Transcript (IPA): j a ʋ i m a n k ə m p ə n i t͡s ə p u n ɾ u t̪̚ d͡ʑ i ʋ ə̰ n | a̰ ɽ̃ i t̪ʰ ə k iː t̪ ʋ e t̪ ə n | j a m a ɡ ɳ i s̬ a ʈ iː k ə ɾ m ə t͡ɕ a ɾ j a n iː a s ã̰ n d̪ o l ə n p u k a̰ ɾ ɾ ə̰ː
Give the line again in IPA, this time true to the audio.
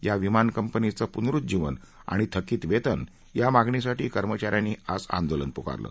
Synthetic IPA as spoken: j a ʋ i m a n k ə m p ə n i t͡s ə p u n ɾ u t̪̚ d͡ʑ i ʋ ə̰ n | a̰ ɽ̃ i t̪ʰ ə k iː t̪ ʋ e t̪ ə n | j a m a ɡ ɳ i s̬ a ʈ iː k ə ɾ m ə t͡ɕ a ɾ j a n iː a s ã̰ n d̪ o l ə n p u k a̰ ɾ l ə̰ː